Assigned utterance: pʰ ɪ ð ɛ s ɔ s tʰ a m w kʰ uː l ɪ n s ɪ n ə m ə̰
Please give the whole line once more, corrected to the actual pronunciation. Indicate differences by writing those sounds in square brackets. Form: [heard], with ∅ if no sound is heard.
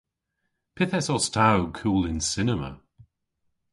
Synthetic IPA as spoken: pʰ ɪ [θ] ɛ s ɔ s tʰ a [∅] w kʰ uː l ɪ n s ɪ n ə m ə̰